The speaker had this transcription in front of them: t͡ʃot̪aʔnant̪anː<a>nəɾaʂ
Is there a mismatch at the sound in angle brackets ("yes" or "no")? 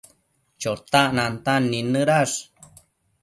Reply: yes